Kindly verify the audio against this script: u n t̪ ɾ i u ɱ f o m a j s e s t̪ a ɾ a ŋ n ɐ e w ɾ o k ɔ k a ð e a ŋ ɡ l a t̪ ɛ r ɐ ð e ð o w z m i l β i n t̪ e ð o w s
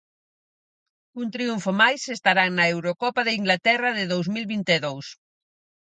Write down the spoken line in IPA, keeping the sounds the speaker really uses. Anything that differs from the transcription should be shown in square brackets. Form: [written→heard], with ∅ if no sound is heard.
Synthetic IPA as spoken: u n t̪ ɾ i u ɱ f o m a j s e s t̪ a ɾ a ŋ n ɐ e w ɾ o k ɔ [k→p] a ð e [a→i] ŋ ɡ l a t̪ ɛ r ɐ ð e ð o w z m i l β i n t̪ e ð o w s